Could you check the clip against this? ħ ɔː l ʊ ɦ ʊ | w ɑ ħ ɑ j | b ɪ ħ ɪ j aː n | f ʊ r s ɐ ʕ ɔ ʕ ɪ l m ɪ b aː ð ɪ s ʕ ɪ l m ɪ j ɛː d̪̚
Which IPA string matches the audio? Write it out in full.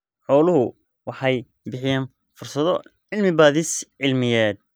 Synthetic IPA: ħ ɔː l ʊ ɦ ʊ | w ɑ ħ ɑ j | b ɪ ħ ɪ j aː n | f ʊ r s ɐ ð ɔ ʕ ɪ l m ɪ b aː ð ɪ s ʕ ɪ l m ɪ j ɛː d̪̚